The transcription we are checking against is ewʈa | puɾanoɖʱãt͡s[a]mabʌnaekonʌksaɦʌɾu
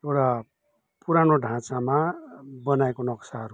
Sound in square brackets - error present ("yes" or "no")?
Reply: no